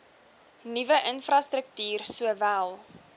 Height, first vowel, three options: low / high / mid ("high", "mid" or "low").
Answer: high